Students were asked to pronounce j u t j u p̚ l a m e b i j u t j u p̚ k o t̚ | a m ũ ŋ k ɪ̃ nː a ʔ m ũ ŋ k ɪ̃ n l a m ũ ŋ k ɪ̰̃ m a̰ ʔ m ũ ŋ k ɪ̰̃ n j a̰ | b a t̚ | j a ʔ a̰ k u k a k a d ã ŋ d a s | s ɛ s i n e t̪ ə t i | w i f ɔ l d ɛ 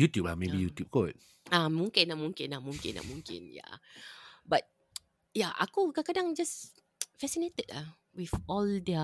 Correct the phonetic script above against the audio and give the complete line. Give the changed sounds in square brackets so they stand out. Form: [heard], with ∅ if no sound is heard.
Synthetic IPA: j u t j u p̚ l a m e b i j u t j u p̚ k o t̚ | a m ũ ŋ k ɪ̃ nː a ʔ m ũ ŋ k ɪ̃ n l a m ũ ŋ k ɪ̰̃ [n] a̰ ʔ m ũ ŋ k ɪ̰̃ n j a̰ | b a t̚ | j a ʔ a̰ k u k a k a d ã ŋ [d͡ʒ] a s | [f] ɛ s i n e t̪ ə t [a] | w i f ɔ l d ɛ